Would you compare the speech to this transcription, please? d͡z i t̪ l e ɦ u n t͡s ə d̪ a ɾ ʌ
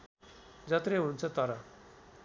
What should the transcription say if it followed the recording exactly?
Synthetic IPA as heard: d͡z a t̪ ɾ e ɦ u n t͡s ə t̪ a ɾ a